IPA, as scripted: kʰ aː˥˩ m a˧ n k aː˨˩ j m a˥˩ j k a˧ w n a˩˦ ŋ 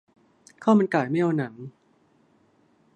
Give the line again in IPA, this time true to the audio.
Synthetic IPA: kʰ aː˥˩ m a˧ n k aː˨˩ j m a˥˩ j ʔ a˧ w n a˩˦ ŋ